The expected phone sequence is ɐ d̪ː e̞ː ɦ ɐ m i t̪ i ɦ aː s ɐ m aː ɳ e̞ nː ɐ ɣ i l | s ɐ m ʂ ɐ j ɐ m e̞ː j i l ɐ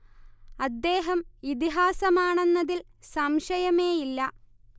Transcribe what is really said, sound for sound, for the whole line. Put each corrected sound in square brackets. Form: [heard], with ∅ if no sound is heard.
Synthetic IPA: ɐ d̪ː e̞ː ɦ ɐ m i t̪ i ɦ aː s ɐ m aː ɳ e̞ nː ɐ [ð] i l | s ɐ m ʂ ɐ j ɐ m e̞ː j i [lː] ɐ